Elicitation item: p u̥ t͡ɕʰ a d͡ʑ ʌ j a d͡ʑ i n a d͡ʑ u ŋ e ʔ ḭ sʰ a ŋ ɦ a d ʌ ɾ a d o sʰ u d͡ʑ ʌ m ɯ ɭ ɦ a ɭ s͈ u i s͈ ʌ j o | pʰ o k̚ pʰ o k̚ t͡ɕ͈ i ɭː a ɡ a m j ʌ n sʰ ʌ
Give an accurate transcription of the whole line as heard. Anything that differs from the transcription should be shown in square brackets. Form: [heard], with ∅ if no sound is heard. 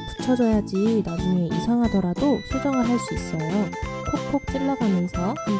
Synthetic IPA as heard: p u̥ t͡ɕʰ [ʌ] d͡ʑ ʌ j a d͡ʑ i n a d͡ʑ u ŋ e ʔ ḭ sʰ a ŋ ɦ a d ʌ ɾ a d o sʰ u d͡ʑ ʌ [ŋ] ɯ ɭ ɦ a ɭ s͈ u i s͈ ʌ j o | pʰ o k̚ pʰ o k̚ t͡ɕ͈ i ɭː a ɡ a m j ʌ n sʰ ʌ